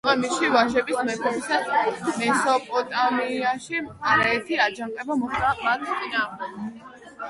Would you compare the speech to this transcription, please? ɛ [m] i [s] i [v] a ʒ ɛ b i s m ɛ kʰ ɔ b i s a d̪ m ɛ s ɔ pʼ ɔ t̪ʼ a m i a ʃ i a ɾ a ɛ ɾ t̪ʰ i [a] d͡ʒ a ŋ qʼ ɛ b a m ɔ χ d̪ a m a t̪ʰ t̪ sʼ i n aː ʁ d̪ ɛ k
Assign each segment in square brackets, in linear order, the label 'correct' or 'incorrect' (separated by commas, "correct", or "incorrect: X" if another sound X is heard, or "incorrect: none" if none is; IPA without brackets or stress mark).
correct, incorrect: ʃ, correct, correct